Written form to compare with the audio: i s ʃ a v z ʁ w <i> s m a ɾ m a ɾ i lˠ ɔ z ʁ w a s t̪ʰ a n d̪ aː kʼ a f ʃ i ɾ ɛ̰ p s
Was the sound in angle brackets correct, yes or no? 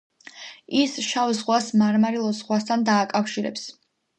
no